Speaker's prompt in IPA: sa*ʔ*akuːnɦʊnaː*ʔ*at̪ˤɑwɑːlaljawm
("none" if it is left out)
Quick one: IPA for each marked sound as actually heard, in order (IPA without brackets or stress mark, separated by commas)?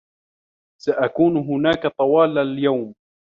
ʔ, k